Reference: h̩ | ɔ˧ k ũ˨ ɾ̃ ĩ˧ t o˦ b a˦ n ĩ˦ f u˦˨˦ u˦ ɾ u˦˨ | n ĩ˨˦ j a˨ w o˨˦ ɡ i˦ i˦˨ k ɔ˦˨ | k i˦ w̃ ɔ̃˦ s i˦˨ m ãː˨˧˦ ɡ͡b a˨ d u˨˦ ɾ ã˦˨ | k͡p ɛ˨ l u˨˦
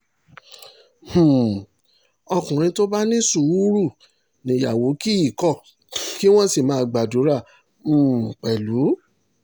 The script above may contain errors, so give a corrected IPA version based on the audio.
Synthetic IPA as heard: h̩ | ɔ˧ k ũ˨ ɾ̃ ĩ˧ t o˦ b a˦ n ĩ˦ s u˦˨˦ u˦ ɾ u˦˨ | n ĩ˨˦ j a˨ w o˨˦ k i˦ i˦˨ k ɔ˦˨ | k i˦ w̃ ɔ̃˦ s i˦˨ m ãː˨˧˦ ɡ͡b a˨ d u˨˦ ɾ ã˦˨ | k͡p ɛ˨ l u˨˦

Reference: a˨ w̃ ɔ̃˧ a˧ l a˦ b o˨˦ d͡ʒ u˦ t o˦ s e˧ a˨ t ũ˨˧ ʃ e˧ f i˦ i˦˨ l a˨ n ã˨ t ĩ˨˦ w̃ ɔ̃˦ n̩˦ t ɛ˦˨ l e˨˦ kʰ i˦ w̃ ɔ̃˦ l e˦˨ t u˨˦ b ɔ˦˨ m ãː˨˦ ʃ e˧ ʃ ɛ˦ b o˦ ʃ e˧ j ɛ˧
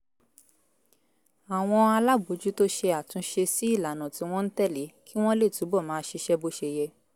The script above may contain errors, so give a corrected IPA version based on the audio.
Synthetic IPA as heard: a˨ w̃ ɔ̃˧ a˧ l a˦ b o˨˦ d͡ʒ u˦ t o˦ ʃ e˧ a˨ t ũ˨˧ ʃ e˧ s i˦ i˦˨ l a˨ n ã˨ t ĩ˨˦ w̃ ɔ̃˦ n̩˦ t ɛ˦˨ l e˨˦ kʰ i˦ w̃ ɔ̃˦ l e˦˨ t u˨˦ b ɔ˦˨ m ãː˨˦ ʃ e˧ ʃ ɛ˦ b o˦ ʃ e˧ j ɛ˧

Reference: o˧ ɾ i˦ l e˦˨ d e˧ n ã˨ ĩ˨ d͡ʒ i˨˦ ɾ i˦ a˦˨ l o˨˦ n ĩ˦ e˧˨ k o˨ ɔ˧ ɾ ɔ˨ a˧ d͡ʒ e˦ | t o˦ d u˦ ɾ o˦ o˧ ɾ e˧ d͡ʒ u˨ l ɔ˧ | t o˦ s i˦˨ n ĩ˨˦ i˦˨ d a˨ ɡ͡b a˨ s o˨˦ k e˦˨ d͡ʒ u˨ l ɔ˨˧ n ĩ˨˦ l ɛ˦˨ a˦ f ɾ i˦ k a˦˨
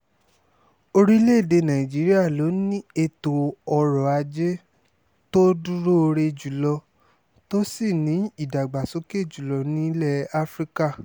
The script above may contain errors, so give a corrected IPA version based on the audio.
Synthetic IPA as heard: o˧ ɾ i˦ l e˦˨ d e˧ n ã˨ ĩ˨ d͡ʒ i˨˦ ɾ i˦ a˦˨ l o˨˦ n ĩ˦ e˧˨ t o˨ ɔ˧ ɾ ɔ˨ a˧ d͡ʒ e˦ | t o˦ d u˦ ɾ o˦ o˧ ɾ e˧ d͡ʒ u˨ l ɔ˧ | t o˦ s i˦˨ n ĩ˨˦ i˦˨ d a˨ ɡ͡b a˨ s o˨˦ k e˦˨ d͡ʒ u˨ l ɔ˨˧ n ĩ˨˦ l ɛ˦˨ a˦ f ɾ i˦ k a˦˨

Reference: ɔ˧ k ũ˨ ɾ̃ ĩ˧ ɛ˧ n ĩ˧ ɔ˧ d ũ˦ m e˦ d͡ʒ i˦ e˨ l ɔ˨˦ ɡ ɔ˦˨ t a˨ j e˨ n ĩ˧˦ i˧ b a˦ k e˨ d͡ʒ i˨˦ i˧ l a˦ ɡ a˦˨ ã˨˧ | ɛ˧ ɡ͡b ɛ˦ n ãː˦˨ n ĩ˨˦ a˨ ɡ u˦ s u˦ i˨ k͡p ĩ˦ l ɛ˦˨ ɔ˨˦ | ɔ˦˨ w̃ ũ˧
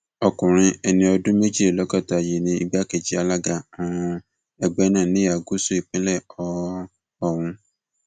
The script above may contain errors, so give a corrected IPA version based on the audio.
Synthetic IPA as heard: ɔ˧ k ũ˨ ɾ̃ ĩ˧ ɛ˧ n ĩ˧ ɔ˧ d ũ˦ m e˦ d͡ʒ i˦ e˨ l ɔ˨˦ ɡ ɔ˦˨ t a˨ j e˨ n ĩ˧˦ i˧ b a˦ k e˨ d͡ʒ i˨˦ a˧ l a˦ ɡ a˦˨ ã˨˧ | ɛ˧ ɡ͡b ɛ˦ n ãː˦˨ n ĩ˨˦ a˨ ɡ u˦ s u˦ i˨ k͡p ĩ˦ l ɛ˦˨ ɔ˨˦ | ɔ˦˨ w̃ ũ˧

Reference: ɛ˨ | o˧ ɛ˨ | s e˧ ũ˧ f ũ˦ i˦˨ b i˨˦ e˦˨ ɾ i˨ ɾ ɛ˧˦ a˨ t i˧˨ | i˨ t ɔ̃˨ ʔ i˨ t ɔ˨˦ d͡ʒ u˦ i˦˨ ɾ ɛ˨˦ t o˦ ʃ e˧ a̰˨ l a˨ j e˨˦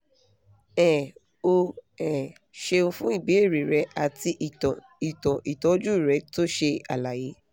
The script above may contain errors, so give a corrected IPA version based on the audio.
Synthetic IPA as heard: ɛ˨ | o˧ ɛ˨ | ʃ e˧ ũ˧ f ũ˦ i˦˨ b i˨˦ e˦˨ ɾ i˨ ɾ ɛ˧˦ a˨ t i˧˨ | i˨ t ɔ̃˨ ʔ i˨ t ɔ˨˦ d͡ʒ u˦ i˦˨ ɾ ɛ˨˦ t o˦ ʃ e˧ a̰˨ l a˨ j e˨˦

